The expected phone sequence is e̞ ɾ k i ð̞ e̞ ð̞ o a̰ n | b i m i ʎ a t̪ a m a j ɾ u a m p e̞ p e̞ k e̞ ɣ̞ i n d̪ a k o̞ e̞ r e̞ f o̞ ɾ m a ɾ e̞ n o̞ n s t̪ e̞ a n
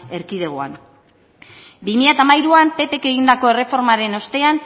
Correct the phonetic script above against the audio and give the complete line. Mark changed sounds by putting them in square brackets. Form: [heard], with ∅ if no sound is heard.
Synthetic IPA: e̞ ɾ k i ð̞ e̞ [ɣ̞] o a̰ n | b i m i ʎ a t̪ a m a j ɾ u a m p e̞ p e̞ k e̞ ɣ̞ i n d̪ a k o̞ e̞ r e̞ f o̞ ɾ m a ɾ e̞ n o̞ [∅] s t̪ e̞ a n